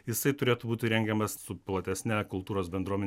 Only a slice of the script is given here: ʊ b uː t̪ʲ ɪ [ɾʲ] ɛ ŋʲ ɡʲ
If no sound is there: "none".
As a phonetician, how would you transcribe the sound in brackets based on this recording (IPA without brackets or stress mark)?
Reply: ɾʲ